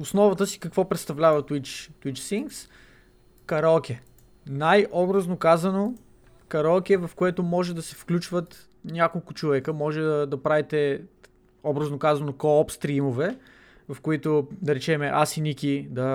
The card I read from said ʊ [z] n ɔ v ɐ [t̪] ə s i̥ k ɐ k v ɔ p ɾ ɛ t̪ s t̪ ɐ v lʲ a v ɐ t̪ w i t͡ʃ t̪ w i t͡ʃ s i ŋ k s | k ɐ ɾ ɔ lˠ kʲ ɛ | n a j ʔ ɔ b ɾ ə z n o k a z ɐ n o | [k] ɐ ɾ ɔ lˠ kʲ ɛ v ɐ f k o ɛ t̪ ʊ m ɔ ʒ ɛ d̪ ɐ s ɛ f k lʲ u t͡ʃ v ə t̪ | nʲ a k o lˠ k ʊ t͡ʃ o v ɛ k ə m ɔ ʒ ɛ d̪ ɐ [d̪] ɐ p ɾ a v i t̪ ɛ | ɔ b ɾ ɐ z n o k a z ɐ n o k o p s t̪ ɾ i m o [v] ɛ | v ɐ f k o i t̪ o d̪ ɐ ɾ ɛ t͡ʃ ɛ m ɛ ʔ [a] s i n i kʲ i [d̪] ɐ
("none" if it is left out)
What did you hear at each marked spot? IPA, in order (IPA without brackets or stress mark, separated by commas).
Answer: s, t̪, k, d̪, v, a, d̪